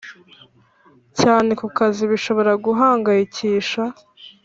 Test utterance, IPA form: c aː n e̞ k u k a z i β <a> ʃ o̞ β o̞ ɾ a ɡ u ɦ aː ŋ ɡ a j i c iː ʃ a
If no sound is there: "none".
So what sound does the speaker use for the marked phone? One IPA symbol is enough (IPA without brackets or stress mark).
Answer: i